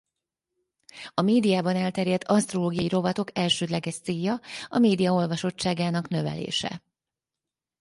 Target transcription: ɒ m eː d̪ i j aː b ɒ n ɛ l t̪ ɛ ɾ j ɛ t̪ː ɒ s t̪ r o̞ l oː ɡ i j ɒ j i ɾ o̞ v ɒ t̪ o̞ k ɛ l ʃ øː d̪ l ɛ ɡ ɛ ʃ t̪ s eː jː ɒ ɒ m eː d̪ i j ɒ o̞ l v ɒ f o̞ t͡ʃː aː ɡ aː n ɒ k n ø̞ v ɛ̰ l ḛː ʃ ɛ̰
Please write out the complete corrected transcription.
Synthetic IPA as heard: ɒ m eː d̪ i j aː b ɒ n ɛ l t̪ ɛ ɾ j ɛ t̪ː ɒ s t̪ r o̞ l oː ɡ i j ɒ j i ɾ o̞ v ɒ t̪ o̞ k ɛ l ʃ øː d̪ l ɛ ɡ ɛ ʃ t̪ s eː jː ɒ ɒ m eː d̪ i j ɒ o̞ l v ɒ ʃ o̞ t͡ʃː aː ɡ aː n ɒ k n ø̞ v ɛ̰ l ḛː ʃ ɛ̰